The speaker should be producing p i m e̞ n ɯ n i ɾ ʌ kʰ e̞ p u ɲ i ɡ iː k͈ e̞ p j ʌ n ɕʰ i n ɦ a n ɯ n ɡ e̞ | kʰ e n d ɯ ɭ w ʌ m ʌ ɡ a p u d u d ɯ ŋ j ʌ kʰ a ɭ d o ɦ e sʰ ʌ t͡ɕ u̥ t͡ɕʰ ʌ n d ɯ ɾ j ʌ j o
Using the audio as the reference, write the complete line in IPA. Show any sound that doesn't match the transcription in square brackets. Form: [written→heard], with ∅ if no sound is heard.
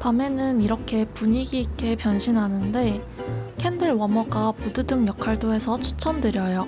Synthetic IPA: p [i→a] m e̞ n ɯ n i ɾ ʌ kʰ e̞ p u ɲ i ɡ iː k͈ e̞ p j ʌ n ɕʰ i n ɦ a n ɯ n [ɡ→d] e̞ | kʰ e n d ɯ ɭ w ʌ m ʌ ɡ a p u d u d ɯ ŋ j ʌ kʰ a ɭ d o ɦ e sʰ ʌ [t͡ɕ→t͡ɕʰ] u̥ t͡ɕʰ ʌ n d ɯ ɾ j ʌ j o